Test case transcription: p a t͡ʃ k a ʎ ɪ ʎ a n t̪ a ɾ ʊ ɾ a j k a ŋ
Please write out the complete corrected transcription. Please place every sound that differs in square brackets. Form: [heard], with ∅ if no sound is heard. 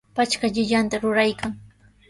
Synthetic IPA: p a t͡ʃ k a ʎ ɪ ʎ a n t̪ a ɾ ʊ ɾ a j k a ŋ